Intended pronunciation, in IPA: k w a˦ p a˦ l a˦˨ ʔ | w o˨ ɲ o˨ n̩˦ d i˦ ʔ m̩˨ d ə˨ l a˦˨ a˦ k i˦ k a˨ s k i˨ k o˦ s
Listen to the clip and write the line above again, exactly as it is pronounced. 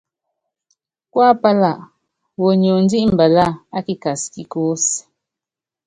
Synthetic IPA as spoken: k w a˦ p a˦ l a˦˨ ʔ | w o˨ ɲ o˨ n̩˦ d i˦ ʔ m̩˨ b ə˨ l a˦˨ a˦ k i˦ k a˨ s k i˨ k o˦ s